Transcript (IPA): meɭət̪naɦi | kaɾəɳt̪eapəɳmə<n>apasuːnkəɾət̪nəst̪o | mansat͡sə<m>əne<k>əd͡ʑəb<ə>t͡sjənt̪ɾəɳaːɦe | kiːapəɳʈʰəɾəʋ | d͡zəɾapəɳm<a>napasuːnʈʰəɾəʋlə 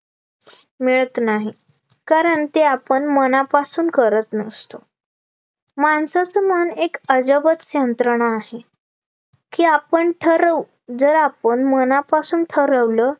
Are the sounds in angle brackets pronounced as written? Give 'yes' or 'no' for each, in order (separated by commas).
yes, yes, yes, yes, no